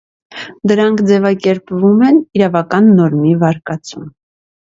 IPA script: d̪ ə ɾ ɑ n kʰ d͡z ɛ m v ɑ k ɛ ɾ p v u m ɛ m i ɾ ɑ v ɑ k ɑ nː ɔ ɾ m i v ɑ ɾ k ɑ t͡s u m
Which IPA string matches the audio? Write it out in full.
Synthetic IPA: d̪ ə ɾ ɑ ŋ kʰ d͡z ɛ v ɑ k ɛ ɾ p v u m ɛ n i ɾ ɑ v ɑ k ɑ nː ɔ ɾ m i v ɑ ɾ k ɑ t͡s u m